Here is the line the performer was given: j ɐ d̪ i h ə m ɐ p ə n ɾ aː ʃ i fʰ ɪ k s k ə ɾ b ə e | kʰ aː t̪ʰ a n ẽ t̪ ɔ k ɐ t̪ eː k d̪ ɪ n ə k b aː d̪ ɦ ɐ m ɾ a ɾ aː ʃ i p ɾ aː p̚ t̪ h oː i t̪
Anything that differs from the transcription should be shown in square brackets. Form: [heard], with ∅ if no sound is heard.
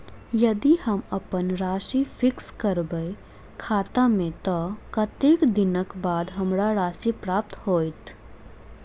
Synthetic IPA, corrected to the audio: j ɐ d̪ i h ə m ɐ p ə n ɾ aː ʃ i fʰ ɪ k s k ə ɾ b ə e | kʰ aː [t̪] a [m] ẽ t̪ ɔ k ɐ t̪ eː k d̪ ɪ n ə k b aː d̪ ɦ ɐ m ɾ a ɾ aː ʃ i p ɾ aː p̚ t̪ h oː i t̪